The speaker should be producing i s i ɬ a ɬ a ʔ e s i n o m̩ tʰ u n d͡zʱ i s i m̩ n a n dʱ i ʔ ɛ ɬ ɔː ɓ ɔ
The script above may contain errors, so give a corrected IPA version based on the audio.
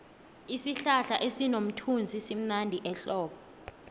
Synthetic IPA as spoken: i s i ɬ a ɬ a ʔ e s i n o m̩ tʰ u n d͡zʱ i s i m̩ n a n dʱ i ʔ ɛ ɬ ɔː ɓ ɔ